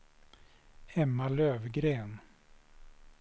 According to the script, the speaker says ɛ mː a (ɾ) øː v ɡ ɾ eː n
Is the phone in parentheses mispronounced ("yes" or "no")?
yes